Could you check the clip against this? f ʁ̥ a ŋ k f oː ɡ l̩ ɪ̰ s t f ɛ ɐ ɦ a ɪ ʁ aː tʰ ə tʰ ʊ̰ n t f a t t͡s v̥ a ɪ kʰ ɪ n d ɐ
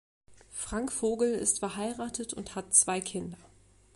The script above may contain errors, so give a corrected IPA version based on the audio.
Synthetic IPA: f ʁ̥ a ŋ k f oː ɡ l̩ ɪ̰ s t f ɛ ɐ ɦ a ɪ ʁ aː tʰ ə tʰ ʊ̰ n t h a t t͡s v̥ a ɪ kʰ ɪ n d ɐ